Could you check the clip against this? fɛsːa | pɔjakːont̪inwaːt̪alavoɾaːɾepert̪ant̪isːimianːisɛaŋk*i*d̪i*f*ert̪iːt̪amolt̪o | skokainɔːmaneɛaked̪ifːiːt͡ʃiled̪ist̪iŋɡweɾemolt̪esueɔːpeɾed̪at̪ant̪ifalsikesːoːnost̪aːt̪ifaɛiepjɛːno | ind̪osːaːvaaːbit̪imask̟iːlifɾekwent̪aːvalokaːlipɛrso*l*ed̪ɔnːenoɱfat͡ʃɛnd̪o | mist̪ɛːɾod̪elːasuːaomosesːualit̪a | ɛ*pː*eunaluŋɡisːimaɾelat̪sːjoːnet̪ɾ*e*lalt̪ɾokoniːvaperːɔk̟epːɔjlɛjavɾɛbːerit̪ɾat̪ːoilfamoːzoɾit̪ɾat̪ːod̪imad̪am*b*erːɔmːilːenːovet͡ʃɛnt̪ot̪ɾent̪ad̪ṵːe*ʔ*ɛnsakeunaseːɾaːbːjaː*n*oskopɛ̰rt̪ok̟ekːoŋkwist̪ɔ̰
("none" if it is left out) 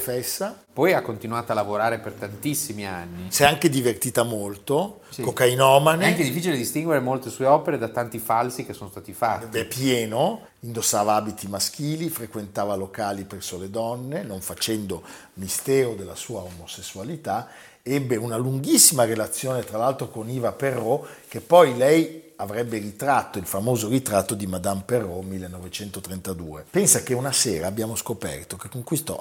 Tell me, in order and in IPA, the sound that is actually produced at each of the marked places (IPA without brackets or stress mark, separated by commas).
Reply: e, v, l, bː, a, p, p, m